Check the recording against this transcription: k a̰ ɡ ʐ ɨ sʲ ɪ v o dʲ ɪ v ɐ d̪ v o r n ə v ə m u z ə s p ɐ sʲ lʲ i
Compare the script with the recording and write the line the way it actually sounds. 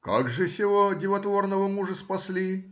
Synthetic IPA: k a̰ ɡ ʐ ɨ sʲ ɪ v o dʲ ɪ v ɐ t̪ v o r n ə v ə m u ʐ ə s p ɐ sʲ lʲ i